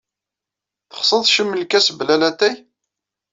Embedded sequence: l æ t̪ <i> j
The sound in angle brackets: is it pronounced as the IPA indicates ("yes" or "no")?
no